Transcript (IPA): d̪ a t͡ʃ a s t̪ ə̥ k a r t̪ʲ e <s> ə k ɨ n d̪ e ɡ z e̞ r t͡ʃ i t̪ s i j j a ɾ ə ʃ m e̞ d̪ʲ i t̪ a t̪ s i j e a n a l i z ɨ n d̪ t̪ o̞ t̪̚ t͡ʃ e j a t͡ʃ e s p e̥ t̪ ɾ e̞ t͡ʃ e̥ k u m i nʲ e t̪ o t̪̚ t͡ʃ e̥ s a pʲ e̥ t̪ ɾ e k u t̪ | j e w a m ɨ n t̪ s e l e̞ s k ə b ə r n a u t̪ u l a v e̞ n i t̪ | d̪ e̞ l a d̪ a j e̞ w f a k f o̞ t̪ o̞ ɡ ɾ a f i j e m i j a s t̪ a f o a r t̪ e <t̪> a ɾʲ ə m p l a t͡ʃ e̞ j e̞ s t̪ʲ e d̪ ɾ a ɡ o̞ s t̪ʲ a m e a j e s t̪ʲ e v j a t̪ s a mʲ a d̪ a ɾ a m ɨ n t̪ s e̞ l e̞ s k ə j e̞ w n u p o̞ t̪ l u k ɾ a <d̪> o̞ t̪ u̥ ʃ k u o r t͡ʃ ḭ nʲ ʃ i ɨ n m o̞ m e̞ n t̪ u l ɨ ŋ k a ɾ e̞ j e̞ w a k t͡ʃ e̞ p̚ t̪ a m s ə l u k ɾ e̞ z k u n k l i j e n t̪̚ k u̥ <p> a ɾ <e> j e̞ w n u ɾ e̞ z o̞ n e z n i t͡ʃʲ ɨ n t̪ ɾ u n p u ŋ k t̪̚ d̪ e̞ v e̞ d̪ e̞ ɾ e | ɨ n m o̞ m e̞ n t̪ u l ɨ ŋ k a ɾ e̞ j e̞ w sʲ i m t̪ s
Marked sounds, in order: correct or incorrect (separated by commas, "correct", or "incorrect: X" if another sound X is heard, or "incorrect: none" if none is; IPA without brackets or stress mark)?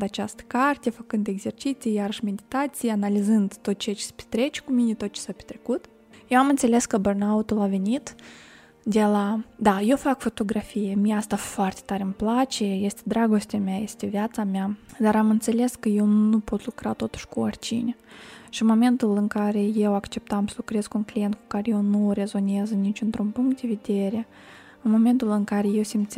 incorrect: f, correct, incorrect: t̪, incorrect: k, correct